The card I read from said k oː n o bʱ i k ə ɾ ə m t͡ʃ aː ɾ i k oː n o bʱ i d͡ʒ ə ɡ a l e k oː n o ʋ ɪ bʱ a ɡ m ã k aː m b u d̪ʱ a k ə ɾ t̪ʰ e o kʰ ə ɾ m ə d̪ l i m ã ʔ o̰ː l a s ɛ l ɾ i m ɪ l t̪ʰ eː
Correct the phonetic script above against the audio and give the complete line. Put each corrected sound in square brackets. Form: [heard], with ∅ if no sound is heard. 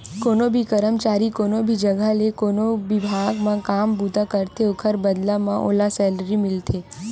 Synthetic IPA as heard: k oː n o bʱ i k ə ɾ ə m t͡ʃ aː ɾ i k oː n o bʱ i d͡ʒ ə ɡ a l e k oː n o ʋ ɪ bʱ a ɡ m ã k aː m b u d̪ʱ a k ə ɾ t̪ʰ e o kʰ ə ɾ [b] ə d̪ l [a] m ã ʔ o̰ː l a s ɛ l ɾ i m ɪ l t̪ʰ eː